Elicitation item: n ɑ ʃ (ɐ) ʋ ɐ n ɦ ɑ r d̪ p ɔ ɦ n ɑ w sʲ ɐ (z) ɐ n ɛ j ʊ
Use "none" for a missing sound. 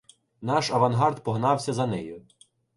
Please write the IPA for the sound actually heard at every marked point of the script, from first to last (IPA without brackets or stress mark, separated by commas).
ɐ, z